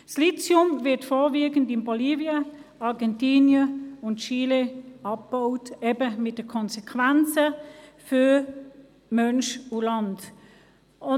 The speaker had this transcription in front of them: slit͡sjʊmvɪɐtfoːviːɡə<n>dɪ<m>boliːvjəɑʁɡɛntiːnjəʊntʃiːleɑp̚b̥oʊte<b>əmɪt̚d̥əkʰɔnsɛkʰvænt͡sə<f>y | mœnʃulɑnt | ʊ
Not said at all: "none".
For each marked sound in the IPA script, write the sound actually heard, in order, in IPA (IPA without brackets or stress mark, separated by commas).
n, n, b, f